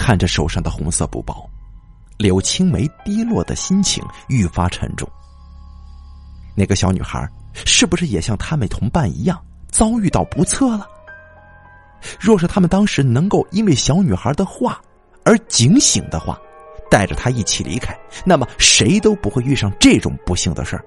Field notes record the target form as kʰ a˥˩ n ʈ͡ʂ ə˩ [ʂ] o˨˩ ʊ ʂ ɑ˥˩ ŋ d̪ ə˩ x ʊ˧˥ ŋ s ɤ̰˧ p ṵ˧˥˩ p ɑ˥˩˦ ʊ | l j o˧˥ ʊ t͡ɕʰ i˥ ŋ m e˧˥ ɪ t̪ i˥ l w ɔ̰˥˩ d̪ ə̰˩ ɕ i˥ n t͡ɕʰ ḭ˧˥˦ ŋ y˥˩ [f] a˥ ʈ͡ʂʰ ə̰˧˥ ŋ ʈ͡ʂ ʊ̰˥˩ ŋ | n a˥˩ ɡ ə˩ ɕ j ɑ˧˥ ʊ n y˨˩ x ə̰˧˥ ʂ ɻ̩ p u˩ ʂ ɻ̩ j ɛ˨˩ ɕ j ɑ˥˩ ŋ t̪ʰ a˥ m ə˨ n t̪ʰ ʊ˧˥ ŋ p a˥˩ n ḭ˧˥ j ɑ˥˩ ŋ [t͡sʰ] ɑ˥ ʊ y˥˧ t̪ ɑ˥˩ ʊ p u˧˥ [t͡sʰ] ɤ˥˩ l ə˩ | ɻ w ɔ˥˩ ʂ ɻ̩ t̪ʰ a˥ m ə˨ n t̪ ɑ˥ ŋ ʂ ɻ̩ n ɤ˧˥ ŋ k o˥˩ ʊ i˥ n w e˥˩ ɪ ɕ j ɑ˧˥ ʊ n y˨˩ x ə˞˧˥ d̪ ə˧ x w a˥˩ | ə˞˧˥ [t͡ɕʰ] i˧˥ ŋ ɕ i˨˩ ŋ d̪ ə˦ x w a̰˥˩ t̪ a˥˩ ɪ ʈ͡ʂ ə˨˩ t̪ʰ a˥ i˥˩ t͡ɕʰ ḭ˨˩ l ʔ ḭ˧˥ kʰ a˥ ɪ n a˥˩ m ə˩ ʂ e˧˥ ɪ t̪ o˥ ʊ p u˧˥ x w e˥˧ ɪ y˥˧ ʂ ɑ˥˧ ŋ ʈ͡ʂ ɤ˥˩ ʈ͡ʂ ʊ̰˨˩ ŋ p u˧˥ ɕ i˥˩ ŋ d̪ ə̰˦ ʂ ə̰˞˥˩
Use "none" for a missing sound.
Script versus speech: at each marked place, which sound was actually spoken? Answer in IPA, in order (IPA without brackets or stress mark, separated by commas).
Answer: ʂ, f, t͡s, t͡sʰ, t͡ɕ